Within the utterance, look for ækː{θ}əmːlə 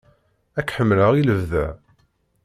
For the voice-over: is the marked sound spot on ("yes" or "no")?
no